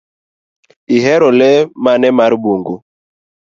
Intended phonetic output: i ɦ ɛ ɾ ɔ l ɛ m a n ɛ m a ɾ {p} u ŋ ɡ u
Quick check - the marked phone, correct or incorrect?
incorrect